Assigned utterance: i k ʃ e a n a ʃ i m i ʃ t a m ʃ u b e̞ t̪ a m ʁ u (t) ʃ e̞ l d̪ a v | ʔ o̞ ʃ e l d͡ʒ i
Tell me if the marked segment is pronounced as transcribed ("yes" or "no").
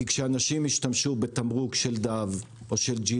no